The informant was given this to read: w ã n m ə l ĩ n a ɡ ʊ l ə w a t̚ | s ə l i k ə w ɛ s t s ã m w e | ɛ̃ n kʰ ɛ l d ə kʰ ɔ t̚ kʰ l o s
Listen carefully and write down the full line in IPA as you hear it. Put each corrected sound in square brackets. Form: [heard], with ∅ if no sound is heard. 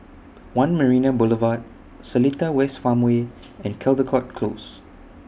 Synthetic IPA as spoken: w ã n m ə [ɹ] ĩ n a [b] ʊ l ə [v] a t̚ | s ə l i [t] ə w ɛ s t [f] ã m w e | ɛ̃ n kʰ ɛ l d ə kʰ ɔ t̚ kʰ l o s